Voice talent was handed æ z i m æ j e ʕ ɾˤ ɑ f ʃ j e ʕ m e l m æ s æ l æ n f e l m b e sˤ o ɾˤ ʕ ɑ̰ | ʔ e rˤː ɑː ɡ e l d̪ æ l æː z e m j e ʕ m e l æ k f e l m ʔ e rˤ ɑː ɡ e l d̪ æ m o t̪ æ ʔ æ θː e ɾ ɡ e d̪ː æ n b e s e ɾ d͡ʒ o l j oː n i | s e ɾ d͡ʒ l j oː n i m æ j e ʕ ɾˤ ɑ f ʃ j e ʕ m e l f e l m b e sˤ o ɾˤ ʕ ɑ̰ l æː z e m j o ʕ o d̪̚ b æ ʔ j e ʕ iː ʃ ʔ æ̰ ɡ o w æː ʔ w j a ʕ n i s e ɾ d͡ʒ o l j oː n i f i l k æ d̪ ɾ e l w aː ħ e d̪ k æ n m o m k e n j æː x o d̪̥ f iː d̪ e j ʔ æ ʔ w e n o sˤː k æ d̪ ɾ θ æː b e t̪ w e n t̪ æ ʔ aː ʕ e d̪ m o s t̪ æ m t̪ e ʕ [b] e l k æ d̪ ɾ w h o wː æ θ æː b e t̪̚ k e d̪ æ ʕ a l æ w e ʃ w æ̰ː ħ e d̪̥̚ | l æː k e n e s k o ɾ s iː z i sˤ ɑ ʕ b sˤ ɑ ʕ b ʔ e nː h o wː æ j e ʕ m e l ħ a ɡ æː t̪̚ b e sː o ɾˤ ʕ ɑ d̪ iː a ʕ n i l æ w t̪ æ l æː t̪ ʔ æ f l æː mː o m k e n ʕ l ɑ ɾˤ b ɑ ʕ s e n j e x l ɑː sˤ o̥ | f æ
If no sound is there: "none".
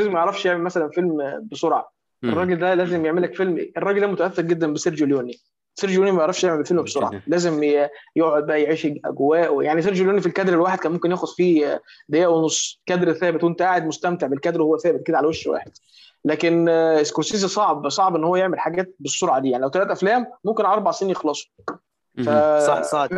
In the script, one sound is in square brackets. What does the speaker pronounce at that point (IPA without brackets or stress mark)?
b